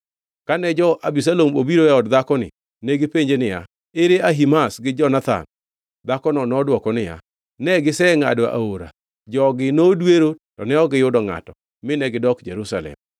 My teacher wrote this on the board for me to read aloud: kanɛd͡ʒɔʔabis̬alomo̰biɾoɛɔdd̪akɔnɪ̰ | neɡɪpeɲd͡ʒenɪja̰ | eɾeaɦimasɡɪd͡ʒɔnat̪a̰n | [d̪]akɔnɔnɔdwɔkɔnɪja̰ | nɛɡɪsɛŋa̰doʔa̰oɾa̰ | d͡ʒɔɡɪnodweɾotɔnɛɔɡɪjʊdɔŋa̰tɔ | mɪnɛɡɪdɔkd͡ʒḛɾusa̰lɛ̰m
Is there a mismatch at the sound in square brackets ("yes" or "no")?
no